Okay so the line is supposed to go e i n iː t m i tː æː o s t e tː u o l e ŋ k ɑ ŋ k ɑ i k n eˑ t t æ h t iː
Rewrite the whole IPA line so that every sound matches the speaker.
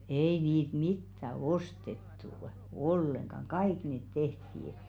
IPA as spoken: e i n iː t m i tː æ o s t e tː u o lː e ŋ k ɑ ŋ k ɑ i k n eˑ t t e h t iː